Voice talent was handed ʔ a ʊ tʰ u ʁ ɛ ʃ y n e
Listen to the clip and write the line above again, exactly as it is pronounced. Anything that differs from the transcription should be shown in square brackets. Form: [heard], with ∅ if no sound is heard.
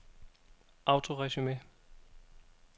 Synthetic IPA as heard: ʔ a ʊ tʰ [o] ʁ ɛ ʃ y [m] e

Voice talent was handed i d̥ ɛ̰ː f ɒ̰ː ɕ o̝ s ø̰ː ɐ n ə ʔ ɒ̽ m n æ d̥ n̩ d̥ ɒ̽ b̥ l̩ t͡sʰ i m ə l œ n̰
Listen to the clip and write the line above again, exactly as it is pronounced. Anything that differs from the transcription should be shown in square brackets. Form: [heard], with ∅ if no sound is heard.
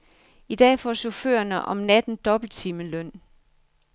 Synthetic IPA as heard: i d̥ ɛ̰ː f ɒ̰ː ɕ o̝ [f] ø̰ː ɐ n ə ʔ ɒ̽ m n æ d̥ n̩ d̥ ɒ̽ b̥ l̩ t͡sʰ i m ə l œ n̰

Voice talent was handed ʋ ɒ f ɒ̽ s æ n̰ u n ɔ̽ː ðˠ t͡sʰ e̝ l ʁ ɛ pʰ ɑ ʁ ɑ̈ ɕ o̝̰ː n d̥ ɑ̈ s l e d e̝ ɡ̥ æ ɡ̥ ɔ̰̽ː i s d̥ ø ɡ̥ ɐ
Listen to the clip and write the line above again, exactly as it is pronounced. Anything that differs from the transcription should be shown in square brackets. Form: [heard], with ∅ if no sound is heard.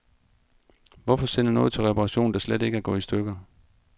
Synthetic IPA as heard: ʋ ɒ f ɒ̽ s [e] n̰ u n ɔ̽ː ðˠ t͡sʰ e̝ l ʁ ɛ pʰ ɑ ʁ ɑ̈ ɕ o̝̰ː n d̥ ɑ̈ s l e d e̝ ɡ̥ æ ɡ̥ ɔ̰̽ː i s d̥ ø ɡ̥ ɐ

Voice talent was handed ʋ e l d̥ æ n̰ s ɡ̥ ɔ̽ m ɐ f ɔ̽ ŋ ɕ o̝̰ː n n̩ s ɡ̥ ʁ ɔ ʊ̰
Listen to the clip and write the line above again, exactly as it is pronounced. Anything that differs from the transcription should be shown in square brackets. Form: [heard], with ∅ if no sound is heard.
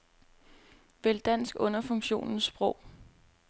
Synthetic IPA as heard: ʋ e l d̥ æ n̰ s ɡ̥ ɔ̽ [n] ɐ f ɔ̽ ŋ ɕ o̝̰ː n n̩ s [b̥] ʁ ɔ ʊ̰

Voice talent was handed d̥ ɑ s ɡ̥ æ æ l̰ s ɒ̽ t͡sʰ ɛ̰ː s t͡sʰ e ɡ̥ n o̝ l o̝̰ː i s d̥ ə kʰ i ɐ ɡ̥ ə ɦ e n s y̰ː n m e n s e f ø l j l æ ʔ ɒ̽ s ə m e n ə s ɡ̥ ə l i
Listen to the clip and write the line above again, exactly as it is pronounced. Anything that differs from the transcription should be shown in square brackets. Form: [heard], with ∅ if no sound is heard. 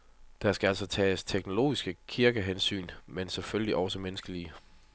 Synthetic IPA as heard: d̥ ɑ s ɡ̥ æ æ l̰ s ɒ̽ t͡sʰ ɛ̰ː s t͡sʰ e ɡ̥ n o̝ l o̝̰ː i s [ɡ̥] ə kʰ i ɐ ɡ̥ ə ɦ e n s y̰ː n m e n s e f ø l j l [i] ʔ ɒ̽ s ə m e n ə s ɡ̥ ə l i

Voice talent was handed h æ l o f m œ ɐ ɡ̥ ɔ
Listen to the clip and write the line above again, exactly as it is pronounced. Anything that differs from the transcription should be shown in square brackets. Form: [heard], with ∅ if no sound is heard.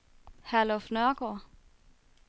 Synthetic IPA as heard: h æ l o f [n] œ ɐ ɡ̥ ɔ

